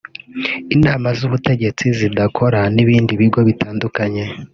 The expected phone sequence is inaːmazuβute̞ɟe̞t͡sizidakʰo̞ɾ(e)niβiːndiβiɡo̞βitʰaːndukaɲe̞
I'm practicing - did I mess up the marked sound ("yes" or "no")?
yes